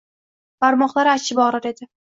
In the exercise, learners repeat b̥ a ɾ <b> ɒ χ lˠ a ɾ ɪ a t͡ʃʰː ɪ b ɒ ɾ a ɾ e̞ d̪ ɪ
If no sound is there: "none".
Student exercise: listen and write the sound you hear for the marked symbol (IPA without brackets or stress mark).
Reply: m